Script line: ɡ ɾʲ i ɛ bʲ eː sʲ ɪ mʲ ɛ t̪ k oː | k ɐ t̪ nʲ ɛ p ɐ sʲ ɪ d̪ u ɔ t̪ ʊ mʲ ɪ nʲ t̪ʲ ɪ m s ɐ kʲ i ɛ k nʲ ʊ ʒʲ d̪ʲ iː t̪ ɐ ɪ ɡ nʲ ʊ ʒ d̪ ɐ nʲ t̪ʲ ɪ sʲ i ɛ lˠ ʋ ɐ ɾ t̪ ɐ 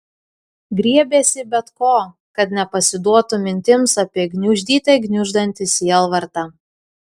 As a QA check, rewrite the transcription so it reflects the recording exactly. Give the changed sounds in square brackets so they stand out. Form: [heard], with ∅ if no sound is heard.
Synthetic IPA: ɡ ɾʲ i ɛ bʲ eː sʲ ɪ [bʲ] ɛ t̪ k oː | k ɐ t̪ nʲ ɛ p ɐ sʲ ɪ d̪ u ɔ t̪ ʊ mʲ ɪ nʲ t̪ʲ ɪ m s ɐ [pʲ] i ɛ [ɡ] nʲ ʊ ʒʲ d̪ʲ iː t̪ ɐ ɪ ɡ nʲ ʊ ʒ d̪ ɐ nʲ t̪ʲ ɪ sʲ i ɛ lˠ ʋ ɐ ɾ t̪ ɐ

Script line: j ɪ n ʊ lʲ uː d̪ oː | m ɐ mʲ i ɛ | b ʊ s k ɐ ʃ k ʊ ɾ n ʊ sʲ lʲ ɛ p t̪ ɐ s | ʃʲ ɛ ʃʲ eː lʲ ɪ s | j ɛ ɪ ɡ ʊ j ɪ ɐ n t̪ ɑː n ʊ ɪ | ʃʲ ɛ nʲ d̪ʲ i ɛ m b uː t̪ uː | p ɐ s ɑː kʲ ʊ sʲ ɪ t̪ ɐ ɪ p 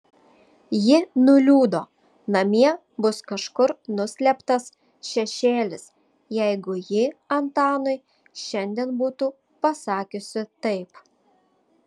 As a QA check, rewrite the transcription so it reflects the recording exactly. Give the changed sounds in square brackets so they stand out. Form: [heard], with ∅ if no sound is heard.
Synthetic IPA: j ɪ n ʊ lʲ uː d̪ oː | [n] ɐ mʲ i ɛ | b ʊ s k ɐ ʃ k ʊ ɾ n ʊ sʲ lʲ ɛ p t̪ ɐ s | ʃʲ ɛ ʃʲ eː lʲ ɪ s | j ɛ ɪ ɡ ʊ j ɪ ɐ n t̪ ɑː n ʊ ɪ | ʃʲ ɛ nʲ d̪ʲ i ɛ [n] b uː t̪ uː | p ɐ s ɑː kʲ ʊ sʲ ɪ t̪ ɐ ɪ p

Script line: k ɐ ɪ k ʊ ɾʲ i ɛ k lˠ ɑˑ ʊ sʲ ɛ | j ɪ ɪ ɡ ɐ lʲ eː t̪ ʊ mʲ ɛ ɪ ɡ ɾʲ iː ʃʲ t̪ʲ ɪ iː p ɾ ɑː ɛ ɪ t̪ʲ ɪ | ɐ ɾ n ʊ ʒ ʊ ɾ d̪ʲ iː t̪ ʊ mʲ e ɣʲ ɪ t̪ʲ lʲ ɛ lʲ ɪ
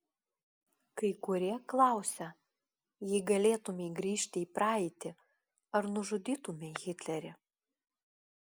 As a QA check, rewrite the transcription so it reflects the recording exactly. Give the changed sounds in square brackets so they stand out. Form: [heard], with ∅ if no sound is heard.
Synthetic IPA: k ɐ ɪ k ʊ ɾʲ i ɛ k lˠ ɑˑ ʊ sʲ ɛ | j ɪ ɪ ɡ ɐ lʲ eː t̪ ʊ mʲ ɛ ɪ ɡ ɾʲ iː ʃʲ t̪ʲ ɪ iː p ɾ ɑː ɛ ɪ t̪ʲ ɪ | ɐ ɾ n ʊ ʒ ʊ [∅] d̪ʲ iː t̪ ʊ mʲ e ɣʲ ɪ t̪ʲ lʲ ɛ [ɾʲ] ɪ

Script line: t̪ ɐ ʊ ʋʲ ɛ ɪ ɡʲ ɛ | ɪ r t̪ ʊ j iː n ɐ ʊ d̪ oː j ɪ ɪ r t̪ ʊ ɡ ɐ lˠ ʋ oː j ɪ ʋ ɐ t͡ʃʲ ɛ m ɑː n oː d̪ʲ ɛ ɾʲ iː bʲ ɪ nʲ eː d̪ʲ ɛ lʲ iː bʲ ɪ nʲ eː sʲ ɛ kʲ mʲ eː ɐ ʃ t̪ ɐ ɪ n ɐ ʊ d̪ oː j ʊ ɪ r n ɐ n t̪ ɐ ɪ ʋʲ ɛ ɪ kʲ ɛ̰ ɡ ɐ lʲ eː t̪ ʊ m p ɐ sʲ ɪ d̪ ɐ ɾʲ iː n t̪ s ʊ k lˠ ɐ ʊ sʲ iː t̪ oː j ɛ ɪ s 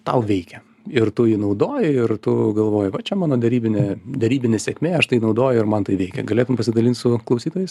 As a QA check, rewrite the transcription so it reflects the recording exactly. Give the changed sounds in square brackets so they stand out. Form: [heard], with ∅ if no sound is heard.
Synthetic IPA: t̪ ɐ ʊ ʋʲ ɛ ɪ [kʲ] ɛ | ɪ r t̪ ʊ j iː n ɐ ʊ d̪ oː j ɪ ɪ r t̪ ʊ ɡ ɐ lˠ ʋ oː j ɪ ʋ ɐ t͡ʃʲ ɛ m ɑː n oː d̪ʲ ɛ ɾʲ iː bʲ ɪ nʲ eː d̪ʲ ɛ [ɾʲ] iː bʲ ɪ nʲ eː sʲ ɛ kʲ mʲ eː ɐ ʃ t̪ ɐ ɪ n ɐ ʊ d̪ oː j ʊ ɪ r [m] ɐ n t̪ ɐ ɪ ʋʲ ɛ ɪ kʲ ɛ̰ ɡ ɐ lʲ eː t̪ ʊ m p ɐ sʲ ɪ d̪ ɐ [lʲ] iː n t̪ s ʊ k lˠ ɐ ʊ sʲ iː t̪ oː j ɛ ɪ s

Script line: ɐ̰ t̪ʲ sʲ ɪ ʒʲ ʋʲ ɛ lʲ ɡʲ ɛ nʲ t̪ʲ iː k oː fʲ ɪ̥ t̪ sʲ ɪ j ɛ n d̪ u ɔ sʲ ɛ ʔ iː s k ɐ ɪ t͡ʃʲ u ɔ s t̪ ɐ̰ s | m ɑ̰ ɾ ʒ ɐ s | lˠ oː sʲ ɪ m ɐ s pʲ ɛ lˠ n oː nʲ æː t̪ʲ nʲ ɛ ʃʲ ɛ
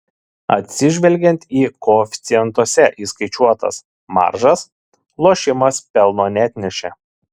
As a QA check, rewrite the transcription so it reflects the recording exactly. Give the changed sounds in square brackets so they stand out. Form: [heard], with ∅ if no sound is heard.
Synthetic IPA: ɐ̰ t̪ʲ sʲ ɪ ʒʲ ʋʲ ɛ lʲ ɡʲ ɛ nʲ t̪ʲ iː k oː fʲ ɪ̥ t̪ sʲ ɪ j ɛ n [t̪] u ɔ sʲ ɛ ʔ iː s k ɐ ɪ t͡ʃʲ u ɔ [∅] t̪ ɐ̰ s | m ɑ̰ ɾ ʒ ɐ s | lˠ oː [ʃʲ] ɪ m ɐ s pʲ ɛ lˠ n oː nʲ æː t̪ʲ nʲ ɛ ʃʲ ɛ

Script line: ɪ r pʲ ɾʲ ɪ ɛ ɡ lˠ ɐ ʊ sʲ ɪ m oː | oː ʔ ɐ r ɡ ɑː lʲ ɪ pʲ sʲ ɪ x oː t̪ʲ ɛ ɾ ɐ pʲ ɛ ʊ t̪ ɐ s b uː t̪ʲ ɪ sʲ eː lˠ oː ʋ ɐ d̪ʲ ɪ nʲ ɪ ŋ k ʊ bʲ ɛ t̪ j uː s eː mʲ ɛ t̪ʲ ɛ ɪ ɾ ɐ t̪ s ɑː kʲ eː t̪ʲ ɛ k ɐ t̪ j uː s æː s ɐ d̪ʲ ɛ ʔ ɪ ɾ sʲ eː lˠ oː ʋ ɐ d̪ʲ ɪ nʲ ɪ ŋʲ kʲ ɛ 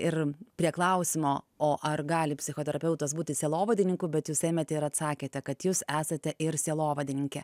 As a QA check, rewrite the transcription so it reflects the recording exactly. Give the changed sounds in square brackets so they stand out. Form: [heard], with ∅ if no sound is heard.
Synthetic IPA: ɪ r pʲ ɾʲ [i] ɛ [k] lˠ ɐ ʊ sʲ ɪ m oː | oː ʔ ɐ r ɡ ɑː lʲ ɪ pʲ sʲ ɪ x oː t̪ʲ ɛ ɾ ɐ pʲ ɛ ʊ t̪ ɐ s b uː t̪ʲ ɪ sʲ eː lˠ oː ʋ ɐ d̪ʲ ɪ nʲ ɪ ŋ k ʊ bʲ ɛ t̪ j uː s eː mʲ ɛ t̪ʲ ɛ ɪ ɾ ɐ t̪ s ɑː kʲ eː t̪ʲ ɛ k ɐ t̪ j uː s æː s ɐ [t̪ʲ] ɛ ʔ ɪ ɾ sʲ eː lˠ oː ʋ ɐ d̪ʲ ɪ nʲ ɪ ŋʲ kʲ ɛ

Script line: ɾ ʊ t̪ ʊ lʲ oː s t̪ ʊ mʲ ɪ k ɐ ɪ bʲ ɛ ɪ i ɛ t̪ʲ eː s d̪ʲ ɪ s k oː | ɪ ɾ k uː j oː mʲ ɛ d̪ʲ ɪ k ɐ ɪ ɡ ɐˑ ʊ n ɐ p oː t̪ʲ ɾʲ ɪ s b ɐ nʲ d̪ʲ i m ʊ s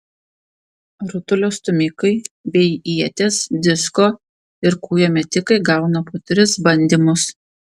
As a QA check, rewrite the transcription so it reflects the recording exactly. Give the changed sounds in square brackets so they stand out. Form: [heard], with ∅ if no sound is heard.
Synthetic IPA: ɾ ʊ t̪ ʊ lʲ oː s t̪ ʊ mʲ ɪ k ɐ ɪ bʲ ɛ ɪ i ɛ t̪ʲ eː s d̪ʲ ɪ s k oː | ɪ ɾ k uː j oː mʲ ɛ [t̪ʲ] ɪ k ɐ ɪ ɡ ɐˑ ʊ n ɐ p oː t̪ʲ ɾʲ ɪ s b ɐ nʲ d̪ʲ i m ʊ s

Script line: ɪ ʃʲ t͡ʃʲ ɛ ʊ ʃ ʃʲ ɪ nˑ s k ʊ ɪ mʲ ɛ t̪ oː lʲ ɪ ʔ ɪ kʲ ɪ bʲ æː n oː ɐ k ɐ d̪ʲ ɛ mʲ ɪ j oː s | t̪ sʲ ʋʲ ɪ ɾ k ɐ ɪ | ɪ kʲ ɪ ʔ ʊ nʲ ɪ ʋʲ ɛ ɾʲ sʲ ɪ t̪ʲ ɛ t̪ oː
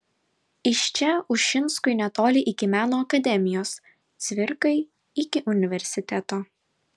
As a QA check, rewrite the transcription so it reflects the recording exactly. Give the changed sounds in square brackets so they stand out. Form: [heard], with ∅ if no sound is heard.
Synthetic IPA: ɪ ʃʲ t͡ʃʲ ɛ ʊ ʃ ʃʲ ɪ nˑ s k ʊ ɪ [nʲ] ɛ t̪ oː lʲ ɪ ʔ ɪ kʲ ɪ [mʲ] æː n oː ɐ k ɐ d̪ʲ ɛ mʲ ɪ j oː s | t̪ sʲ ʋʲ ɪ ɾ k ɐ ɪ | ɪ kʲ ɪ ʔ ʊ nʲ ɪ ʋʲ ɛ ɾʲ sʲ ɪ t̪ʲ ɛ t̪ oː

